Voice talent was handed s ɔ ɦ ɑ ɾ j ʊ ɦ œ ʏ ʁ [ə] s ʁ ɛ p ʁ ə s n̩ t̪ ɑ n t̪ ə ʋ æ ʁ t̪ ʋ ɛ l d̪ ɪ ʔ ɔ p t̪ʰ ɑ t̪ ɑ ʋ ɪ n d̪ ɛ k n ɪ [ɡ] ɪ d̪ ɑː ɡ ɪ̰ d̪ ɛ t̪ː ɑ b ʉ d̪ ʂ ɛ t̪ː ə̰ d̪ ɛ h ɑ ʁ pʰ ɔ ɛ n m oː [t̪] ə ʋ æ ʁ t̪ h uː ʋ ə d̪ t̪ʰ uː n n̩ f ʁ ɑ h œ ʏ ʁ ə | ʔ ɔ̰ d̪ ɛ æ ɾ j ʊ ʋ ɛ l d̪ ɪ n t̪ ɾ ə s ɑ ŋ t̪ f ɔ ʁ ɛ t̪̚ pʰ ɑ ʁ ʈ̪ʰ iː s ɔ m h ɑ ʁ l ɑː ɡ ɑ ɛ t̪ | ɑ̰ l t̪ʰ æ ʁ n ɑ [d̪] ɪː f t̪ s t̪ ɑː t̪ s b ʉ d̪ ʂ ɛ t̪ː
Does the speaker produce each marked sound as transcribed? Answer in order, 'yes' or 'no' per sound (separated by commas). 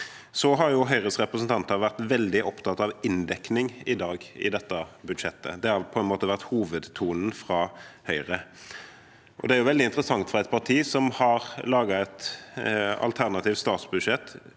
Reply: yes, no, yes, no